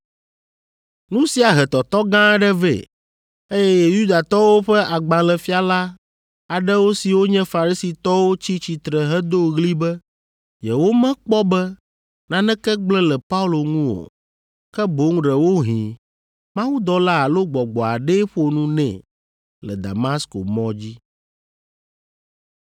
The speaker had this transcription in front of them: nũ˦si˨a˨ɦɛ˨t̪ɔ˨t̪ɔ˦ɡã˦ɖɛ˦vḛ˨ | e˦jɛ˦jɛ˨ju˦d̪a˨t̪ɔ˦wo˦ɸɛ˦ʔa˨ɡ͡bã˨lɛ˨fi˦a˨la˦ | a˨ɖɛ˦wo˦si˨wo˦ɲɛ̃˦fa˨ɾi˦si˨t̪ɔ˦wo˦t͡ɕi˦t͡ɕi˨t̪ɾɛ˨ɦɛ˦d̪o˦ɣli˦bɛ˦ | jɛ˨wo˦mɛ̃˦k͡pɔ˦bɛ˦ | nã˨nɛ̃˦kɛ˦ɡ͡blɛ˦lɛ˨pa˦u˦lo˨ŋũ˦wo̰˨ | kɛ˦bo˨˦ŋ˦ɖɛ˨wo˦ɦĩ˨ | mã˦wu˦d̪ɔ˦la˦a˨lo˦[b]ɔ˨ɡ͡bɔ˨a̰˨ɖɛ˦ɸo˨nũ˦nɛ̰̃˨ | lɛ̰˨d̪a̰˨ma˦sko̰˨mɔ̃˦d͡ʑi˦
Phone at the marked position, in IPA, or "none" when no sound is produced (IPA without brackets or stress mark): ɡ͡b